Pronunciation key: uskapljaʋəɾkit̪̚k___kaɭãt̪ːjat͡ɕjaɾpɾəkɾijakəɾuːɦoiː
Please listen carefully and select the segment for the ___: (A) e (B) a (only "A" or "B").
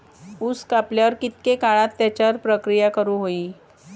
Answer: A